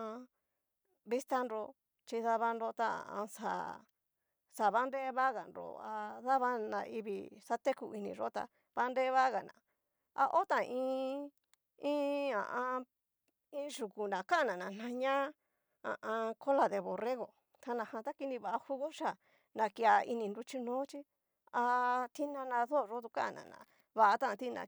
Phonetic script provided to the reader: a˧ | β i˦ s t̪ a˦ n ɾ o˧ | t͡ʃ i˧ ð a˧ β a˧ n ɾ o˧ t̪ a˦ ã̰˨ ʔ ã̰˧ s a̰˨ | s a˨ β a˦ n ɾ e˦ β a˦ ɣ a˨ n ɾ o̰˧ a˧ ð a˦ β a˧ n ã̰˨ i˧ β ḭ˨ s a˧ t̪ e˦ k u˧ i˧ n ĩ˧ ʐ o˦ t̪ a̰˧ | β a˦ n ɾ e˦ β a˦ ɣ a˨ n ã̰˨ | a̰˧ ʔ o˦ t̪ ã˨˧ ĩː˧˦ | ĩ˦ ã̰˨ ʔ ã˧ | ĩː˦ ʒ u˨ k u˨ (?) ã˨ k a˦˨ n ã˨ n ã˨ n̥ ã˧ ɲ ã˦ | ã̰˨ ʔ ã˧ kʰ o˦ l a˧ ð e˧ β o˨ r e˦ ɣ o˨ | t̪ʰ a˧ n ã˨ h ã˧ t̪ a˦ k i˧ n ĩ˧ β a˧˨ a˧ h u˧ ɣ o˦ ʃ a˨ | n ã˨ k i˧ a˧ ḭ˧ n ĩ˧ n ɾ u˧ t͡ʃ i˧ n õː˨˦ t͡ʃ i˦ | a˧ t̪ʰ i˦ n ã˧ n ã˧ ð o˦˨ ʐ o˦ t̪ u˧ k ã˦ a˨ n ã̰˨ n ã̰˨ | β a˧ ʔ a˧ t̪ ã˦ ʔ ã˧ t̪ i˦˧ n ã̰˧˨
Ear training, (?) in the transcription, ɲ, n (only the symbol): n